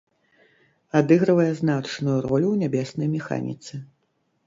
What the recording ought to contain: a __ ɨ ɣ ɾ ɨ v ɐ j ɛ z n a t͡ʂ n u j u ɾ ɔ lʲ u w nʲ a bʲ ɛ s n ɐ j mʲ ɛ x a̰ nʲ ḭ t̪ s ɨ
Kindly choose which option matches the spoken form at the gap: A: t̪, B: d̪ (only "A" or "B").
B